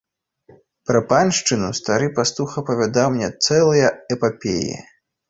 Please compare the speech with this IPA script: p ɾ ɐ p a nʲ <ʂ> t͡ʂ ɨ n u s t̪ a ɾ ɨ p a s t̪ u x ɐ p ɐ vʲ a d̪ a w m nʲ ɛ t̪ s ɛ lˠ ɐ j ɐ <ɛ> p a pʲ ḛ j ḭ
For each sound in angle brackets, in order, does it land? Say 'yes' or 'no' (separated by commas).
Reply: yes, yes